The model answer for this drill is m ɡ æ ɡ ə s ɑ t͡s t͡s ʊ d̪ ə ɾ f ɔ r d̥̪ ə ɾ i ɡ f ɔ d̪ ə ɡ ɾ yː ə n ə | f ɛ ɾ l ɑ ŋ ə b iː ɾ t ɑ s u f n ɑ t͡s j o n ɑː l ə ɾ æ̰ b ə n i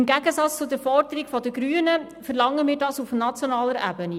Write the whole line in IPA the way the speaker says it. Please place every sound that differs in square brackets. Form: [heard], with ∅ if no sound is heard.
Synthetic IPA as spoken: m ɡ æ ɡ ə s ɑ t͡s t͡s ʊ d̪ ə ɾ f ɔ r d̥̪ ə ɾ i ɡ f ɔ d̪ ə ɡ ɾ yː ə n ə | f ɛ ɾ l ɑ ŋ ə [m] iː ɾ [d] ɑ s u f n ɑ t͡s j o n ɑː l ə ɾ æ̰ b ə n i